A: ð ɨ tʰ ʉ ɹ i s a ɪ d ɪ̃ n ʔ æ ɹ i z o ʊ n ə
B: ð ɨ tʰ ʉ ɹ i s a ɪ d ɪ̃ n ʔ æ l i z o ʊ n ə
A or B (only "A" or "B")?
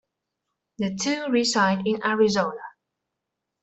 A